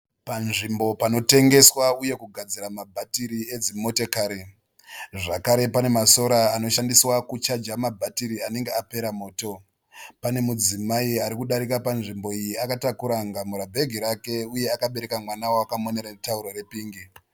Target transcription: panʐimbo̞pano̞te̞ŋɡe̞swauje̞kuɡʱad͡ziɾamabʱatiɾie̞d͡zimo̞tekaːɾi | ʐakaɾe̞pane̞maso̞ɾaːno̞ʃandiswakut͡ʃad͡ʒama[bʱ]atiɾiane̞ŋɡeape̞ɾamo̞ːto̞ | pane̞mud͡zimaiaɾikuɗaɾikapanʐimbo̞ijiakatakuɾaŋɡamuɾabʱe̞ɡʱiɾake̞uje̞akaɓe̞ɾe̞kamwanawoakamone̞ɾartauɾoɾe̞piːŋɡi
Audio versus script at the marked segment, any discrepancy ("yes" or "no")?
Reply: no